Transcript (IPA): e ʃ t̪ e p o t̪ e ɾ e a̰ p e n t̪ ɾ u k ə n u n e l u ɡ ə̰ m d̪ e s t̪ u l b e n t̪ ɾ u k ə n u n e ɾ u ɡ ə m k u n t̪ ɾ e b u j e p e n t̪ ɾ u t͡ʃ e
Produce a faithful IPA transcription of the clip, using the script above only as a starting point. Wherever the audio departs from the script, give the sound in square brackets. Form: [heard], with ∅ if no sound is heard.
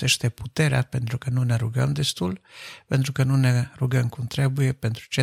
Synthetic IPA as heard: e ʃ t̪ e p [u] t̪ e ɾ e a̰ p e n t̪ ɾ u k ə n u n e [ɾ] u ɡ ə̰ m d̪ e s t̪ u l [p] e n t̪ ɾ u k ə n u n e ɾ u ɡ ə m k u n t̪ ɾ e b u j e p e n t̪ ɾ u t͡ʃ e